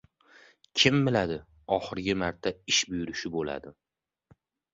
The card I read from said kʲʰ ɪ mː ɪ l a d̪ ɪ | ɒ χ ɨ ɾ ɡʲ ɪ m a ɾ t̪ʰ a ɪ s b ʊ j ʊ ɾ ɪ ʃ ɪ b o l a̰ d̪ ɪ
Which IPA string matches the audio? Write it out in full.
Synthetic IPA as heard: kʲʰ ɪ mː ɪ l a d̪ ɪ | ɒ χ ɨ ɾ ɡʲ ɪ m a ɾ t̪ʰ a ɪ ʃ b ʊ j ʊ ɾ ɪ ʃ ɪ b o l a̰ d̪ ɪ